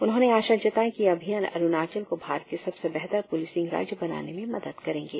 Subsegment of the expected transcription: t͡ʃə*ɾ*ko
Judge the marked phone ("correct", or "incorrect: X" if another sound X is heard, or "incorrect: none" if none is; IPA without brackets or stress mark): incorrect: l